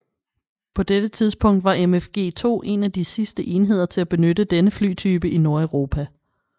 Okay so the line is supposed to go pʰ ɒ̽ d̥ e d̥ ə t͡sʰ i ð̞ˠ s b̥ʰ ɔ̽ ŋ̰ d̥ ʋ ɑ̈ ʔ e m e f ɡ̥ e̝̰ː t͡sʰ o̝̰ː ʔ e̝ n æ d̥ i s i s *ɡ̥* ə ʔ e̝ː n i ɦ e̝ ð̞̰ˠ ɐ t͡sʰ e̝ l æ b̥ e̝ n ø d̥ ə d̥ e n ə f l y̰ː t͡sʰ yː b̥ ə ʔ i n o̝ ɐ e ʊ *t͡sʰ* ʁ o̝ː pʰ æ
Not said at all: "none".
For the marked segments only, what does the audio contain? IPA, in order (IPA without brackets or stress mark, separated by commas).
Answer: d̥, none